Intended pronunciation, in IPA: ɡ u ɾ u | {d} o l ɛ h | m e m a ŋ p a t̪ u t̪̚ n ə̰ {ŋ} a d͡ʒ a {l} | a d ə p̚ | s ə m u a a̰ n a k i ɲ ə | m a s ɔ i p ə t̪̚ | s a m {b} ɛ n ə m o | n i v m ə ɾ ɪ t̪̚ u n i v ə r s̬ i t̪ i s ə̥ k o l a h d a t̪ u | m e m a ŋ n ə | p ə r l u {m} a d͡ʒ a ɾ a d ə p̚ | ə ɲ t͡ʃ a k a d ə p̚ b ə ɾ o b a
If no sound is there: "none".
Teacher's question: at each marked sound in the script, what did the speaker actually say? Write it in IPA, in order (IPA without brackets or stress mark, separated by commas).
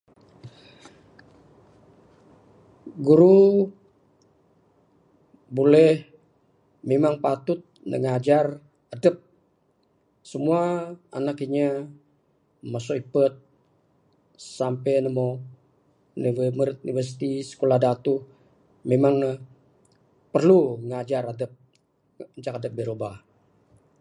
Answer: b, ŋ, r, p, ŋ